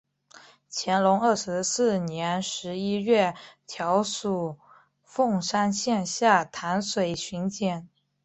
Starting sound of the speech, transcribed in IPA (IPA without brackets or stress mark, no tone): t͡ɕʰ